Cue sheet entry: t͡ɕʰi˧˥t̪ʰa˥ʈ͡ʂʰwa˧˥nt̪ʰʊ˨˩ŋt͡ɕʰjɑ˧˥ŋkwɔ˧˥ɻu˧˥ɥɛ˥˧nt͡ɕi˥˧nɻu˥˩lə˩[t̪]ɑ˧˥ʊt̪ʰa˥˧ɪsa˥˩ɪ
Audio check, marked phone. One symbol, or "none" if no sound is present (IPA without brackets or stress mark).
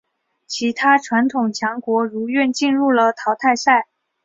t̪ʰ